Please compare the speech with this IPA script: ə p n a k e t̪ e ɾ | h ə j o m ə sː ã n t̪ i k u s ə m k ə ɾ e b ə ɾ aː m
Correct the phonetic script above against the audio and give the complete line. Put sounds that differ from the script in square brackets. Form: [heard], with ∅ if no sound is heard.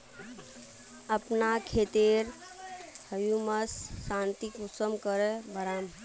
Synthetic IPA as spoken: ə p n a [kʰ] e t̪ e ɾ | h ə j [u] m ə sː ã n t̪ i k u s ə m k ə ɾ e b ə ɾ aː m